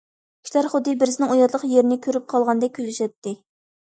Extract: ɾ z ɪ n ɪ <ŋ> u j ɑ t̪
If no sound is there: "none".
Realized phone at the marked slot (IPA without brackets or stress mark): ŋ